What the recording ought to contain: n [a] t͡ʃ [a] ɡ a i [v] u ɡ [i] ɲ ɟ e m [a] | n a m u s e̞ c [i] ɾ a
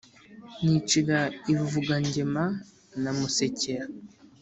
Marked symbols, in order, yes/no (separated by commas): no, no, yes, no, yes, no